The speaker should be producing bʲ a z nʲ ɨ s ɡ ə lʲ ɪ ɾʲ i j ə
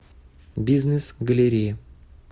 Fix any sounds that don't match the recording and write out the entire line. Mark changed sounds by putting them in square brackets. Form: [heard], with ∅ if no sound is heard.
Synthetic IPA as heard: bʲ [i] z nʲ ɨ s ɡ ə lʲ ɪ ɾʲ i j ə